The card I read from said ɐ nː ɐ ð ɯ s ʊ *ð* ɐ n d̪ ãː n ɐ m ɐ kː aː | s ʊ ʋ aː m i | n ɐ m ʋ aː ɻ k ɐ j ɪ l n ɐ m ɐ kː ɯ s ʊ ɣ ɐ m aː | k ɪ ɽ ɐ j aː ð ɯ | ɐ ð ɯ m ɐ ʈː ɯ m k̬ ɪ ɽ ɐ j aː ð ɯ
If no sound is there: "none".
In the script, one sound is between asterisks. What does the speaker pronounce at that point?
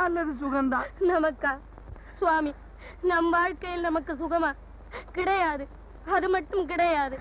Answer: ɣ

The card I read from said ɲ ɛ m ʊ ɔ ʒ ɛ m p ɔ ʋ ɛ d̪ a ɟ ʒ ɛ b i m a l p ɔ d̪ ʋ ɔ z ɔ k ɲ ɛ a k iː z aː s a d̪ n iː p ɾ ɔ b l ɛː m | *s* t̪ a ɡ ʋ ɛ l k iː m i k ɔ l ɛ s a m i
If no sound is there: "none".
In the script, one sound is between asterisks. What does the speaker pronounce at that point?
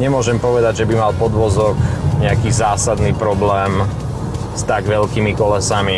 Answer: s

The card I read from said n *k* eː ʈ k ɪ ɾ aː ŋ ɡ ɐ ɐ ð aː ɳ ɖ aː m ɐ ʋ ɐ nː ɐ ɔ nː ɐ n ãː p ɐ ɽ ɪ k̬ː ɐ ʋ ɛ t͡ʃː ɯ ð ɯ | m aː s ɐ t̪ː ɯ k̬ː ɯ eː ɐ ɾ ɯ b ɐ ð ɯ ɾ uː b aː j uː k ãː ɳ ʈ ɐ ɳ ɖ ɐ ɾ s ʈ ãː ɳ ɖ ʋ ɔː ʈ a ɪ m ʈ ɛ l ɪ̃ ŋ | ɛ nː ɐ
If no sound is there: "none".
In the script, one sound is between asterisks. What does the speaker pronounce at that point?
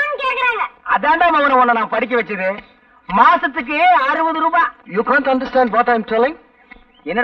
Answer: k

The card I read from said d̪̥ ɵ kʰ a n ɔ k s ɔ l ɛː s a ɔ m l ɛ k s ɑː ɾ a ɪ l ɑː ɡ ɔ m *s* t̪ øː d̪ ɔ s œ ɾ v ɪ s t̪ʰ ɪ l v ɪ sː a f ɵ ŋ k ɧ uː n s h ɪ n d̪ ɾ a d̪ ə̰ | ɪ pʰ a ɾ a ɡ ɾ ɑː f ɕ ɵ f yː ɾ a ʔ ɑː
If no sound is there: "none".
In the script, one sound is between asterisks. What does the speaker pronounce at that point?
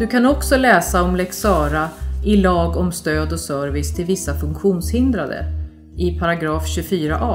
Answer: s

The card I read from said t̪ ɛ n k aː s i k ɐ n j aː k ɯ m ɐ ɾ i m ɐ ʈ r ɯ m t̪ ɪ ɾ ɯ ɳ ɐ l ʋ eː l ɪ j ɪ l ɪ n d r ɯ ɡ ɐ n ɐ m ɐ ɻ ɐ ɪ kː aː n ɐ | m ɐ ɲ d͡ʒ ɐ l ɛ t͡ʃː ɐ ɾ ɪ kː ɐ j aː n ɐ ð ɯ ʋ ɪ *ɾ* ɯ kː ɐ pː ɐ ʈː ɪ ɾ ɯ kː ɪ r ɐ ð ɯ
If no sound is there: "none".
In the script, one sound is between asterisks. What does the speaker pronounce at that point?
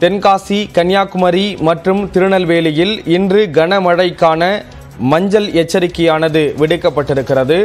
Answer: ɽ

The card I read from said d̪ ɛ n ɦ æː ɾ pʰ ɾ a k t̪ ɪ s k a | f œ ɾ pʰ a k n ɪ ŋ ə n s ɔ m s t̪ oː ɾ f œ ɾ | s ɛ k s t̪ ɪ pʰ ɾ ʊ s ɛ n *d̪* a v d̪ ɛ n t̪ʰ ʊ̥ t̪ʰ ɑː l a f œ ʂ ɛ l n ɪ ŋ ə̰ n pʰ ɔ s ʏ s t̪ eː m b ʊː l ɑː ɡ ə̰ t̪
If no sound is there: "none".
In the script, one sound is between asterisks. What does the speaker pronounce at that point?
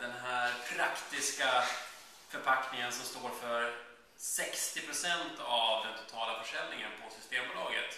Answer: t̪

